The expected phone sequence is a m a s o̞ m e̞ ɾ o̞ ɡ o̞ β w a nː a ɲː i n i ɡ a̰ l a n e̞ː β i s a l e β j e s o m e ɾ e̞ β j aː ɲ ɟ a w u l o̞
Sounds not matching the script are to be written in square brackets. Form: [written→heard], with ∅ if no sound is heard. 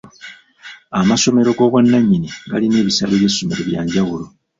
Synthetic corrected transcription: a m a s o̞ m e̞ ɾ o̞ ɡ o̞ β w a nː a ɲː i n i ɡ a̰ l [a→i] n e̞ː β i s a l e β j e s o m e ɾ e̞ β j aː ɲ ɟ a w u l o̞